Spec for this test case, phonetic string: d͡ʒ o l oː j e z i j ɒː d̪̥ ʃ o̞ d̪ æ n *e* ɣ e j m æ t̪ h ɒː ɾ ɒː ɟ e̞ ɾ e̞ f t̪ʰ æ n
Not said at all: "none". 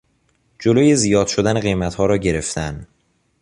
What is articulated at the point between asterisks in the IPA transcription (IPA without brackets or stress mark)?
e